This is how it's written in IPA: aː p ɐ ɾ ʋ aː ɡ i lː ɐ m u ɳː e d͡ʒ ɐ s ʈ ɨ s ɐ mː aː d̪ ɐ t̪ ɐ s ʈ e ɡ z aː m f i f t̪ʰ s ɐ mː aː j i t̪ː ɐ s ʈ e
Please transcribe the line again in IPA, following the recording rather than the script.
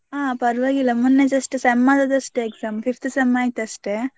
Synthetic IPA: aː p ɐ ɾ ʋ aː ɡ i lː ɐ m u nː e d͡ʒ ɐ s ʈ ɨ s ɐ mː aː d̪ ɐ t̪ ɐ s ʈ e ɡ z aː m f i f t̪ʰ s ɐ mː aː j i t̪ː ɐ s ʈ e